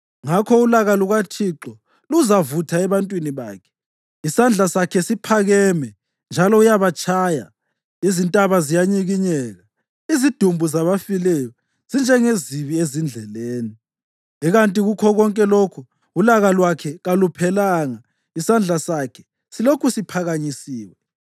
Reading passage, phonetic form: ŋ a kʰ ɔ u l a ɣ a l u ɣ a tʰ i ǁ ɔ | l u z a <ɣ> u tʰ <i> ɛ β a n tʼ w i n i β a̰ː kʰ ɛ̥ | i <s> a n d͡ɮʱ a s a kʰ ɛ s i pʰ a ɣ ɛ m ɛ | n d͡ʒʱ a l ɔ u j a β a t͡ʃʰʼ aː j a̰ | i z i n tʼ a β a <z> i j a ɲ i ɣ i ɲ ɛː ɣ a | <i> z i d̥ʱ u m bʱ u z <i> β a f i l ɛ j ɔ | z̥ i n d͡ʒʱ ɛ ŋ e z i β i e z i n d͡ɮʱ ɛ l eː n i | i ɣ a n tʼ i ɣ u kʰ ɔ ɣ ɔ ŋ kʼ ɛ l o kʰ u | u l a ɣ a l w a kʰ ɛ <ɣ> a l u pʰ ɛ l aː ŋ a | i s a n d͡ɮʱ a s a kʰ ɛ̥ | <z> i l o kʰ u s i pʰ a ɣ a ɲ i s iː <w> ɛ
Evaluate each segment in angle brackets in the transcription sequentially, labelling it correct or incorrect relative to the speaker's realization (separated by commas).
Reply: incorrect, incorrect, correct, correct, correct, incorrect, correct, incorrect, correct